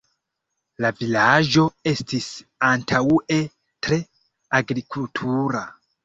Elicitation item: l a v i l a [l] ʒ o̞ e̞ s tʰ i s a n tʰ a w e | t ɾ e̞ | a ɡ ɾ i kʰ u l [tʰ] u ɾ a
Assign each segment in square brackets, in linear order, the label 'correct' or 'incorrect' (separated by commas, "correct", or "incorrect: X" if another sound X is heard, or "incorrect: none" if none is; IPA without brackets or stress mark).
incorrect: none, correct